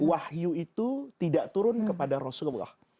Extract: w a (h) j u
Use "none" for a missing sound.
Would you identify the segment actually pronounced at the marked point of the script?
h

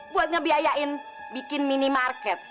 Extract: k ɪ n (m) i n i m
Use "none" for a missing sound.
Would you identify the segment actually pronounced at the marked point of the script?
m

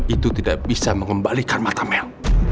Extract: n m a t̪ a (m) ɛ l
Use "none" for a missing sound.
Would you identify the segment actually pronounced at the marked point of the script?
m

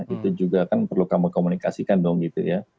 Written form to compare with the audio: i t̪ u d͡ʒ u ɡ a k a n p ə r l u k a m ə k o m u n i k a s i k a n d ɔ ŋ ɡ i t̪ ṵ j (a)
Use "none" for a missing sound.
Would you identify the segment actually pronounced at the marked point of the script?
a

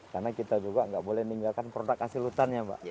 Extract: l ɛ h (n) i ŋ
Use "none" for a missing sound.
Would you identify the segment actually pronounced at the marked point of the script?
n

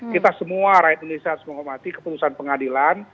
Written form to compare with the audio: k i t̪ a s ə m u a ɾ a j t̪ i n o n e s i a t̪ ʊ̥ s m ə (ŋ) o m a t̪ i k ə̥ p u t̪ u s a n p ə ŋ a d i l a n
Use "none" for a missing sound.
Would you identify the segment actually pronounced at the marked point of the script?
ŋ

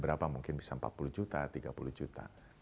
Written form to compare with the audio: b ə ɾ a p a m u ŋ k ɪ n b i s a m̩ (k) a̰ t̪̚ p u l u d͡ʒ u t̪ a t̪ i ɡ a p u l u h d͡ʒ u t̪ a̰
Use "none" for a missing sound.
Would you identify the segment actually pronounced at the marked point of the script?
p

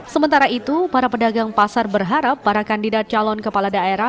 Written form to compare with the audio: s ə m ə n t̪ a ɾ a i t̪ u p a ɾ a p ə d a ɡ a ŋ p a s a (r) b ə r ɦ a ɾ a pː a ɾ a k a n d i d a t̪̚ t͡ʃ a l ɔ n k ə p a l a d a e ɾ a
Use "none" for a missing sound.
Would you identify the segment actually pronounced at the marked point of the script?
r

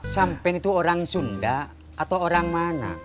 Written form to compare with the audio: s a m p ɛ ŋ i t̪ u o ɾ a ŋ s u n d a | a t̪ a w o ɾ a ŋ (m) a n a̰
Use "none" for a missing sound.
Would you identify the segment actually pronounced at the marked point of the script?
m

